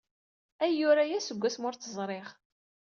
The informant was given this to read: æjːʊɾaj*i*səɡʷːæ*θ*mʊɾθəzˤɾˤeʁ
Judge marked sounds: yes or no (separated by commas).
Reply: no, no